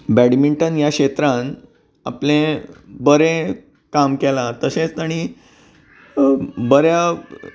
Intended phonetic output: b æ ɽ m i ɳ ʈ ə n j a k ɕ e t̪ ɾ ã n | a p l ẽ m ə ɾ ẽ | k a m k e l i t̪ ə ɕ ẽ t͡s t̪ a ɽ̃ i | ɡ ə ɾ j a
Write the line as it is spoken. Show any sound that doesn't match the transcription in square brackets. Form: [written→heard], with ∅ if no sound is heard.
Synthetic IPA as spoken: b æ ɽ m i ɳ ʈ ə n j a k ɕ e t̪ ɾ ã n | a p l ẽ [m→b] ə ɾ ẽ | k a m k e l [i→a] t̪ ə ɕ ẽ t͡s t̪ a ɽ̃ i | [ɡ→b] ə ɾ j a